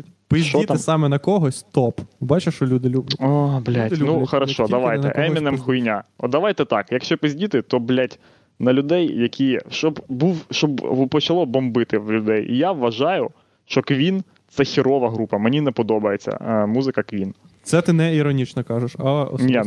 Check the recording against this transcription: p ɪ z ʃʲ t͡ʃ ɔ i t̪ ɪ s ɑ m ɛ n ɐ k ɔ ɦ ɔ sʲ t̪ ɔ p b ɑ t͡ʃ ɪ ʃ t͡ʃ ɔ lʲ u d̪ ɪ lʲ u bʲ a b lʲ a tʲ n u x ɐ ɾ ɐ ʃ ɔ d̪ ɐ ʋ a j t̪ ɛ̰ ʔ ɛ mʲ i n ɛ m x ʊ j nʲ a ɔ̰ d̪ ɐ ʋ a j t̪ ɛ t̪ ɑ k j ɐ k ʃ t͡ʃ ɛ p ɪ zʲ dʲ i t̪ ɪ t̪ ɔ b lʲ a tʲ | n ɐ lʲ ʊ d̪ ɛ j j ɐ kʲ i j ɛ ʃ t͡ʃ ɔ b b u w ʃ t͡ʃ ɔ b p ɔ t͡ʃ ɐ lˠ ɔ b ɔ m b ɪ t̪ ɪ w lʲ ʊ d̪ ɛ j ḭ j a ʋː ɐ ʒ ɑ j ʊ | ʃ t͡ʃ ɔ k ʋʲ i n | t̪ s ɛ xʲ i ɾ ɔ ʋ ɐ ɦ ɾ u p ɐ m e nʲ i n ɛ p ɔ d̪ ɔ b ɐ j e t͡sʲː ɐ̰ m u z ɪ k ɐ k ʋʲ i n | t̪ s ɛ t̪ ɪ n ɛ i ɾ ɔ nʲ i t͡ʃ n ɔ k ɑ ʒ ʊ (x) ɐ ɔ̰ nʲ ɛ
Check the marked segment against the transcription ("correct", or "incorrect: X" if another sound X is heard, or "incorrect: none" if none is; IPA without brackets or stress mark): incorrect: ʃ